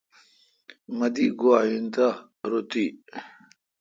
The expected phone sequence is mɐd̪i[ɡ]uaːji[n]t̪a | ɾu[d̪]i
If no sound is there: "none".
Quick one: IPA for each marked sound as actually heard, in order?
ɡ, n, t̪

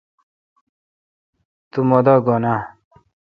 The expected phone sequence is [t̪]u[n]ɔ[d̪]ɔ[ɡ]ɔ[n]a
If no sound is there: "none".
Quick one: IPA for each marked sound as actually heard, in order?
t̪, m, d̪, ɡ, n

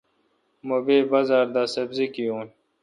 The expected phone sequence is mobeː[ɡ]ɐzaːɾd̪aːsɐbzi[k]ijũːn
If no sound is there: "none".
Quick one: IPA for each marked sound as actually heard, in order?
b, k

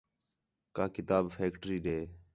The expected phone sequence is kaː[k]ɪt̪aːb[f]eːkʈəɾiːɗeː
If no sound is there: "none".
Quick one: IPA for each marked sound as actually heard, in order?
k, f

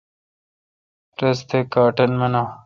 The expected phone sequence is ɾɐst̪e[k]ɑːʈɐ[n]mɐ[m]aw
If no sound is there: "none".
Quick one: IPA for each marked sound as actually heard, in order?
k, n, n

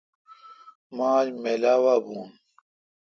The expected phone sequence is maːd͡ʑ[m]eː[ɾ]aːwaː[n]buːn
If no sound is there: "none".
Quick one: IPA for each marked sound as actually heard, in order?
m, l, none

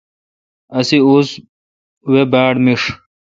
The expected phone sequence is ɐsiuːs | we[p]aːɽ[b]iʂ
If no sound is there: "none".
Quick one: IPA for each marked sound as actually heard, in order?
b, m

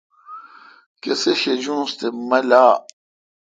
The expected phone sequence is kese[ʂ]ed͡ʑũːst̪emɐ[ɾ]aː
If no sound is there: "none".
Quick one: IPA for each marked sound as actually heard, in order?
ɕ, l

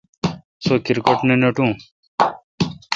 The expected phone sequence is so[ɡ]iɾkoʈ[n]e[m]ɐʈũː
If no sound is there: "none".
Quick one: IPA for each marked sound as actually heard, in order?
k, n, n

